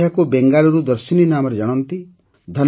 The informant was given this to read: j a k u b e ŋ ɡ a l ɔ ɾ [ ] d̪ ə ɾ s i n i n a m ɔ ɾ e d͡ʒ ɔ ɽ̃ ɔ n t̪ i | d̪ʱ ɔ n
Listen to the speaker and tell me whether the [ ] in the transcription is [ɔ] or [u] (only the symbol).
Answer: u